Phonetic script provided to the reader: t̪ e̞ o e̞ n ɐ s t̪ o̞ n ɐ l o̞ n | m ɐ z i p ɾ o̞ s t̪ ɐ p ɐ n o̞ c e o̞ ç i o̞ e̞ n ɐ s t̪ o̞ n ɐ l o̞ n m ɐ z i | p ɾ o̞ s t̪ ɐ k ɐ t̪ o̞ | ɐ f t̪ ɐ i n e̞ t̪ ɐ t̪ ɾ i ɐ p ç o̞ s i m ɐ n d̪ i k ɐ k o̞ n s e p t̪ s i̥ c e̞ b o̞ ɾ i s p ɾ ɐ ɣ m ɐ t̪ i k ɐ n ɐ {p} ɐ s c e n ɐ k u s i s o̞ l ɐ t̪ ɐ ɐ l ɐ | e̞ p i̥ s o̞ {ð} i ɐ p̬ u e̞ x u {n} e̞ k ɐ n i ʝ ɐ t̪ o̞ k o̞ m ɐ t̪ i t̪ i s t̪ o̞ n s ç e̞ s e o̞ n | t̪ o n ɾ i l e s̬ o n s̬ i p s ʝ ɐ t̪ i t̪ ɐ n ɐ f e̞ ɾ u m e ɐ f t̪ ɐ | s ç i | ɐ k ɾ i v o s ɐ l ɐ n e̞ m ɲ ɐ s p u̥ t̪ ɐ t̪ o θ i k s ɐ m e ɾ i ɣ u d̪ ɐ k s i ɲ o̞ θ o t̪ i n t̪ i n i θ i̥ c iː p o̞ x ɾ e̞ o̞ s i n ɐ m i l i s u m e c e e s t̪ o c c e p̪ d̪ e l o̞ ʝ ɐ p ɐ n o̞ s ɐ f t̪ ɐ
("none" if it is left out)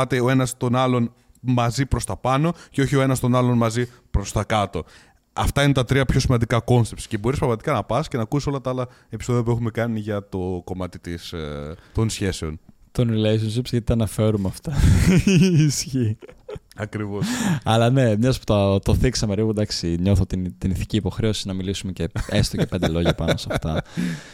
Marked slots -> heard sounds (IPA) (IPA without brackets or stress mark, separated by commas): p, ð, m